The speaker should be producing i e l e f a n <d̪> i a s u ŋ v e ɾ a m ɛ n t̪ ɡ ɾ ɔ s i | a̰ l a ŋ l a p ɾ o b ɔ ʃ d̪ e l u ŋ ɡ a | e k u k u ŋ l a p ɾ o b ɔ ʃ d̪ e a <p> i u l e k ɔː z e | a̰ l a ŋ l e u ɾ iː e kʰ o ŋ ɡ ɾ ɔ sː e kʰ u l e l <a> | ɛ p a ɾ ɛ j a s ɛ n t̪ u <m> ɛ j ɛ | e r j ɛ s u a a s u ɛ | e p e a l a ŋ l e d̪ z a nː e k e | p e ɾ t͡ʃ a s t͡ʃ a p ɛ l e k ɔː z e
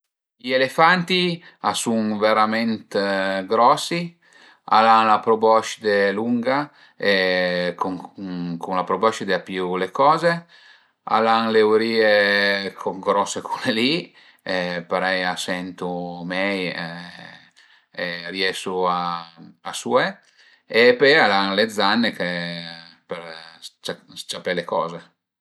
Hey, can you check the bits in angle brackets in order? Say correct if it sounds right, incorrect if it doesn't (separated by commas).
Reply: incorrect, correct, incorrect, correct